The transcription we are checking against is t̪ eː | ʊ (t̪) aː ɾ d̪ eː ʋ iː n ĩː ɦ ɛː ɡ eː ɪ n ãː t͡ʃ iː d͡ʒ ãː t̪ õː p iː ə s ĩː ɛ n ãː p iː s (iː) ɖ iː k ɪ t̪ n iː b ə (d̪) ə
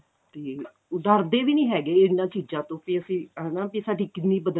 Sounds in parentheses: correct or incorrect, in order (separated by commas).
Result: incorrect, incorrect, correct